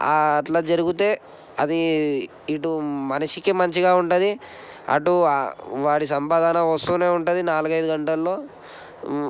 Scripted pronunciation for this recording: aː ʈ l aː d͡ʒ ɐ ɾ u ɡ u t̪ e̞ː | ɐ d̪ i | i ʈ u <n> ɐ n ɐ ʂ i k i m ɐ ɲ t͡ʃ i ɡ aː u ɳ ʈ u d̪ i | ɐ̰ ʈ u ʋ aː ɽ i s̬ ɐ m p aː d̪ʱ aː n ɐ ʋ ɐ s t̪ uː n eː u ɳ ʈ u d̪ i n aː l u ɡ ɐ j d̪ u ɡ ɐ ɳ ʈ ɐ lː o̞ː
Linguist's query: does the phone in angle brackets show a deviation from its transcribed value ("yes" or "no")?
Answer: yes